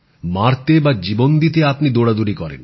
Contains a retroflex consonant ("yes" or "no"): yes